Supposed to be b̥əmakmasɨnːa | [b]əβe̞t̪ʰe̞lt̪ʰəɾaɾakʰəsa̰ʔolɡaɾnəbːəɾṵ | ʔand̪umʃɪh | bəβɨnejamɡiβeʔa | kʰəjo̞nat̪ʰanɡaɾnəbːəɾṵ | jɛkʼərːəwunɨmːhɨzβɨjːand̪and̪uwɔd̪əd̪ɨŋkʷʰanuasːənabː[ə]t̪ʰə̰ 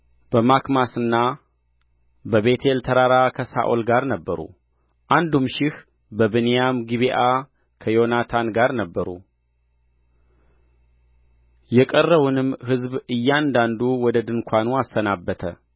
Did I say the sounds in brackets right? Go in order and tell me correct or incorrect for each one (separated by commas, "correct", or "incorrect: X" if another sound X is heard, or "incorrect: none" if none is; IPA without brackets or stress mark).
correct, correct